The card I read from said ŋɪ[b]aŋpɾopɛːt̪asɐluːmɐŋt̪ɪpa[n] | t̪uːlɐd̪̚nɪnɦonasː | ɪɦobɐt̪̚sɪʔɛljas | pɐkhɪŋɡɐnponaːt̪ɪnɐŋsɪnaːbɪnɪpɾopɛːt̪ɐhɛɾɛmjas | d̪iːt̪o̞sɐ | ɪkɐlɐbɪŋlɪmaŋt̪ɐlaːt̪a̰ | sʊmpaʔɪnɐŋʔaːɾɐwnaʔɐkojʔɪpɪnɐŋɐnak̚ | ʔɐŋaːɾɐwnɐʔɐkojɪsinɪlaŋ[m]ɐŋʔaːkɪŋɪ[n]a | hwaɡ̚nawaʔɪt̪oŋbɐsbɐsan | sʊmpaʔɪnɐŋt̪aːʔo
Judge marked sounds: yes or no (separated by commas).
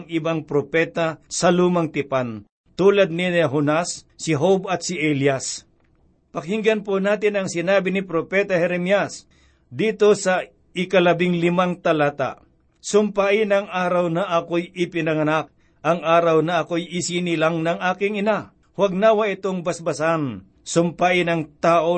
yes, yes, no, yes